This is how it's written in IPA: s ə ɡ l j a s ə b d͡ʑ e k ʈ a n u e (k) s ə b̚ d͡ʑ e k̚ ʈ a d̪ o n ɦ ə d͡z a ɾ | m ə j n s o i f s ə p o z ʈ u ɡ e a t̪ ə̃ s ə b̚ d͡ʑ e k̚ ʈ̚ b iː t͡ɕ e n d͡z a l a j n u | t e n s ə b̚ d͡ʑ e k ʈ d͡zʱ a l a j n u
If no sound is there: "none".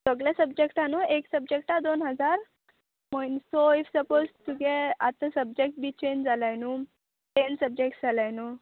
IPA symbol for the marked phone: k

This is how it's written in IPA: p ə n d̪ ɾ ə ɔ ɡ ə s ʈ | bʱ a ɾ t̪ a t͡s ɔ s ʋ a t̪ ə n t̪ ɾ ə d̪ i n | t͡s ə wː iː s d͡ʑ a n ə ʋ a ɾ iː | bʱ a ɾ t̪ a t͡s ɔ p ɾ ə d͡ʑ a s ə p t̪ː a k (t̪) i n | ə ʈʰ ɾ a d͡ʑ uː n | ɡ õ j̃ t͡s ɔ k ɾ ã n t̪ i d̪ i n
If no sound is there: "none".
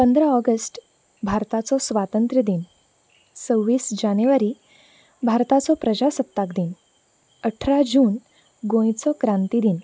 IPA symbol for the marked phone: d̪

